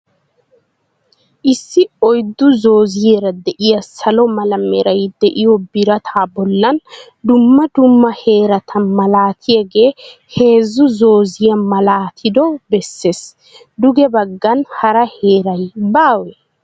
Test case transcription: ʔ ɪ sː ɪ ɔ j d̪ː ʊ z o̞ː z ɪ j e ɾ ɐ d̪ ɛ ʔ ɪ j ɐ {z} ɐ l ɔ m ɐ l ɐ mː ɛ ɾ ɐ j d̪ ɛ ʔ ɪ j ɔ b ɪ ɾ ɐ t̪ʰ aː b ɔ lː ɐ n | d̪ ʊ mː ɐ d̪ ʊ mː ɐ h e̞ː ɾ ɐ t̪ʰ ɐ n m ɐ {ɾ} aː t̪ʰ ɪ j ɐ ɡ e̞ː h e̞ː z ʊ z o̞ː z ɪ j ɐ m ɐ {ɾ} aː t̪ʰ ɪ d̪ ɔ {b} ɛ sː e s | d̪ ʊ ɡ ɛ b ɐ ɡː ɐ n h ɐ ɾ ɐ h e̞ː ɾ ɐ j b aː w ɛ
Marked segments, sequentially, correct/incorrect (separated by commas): incorrect, incorrect, incorrect, correct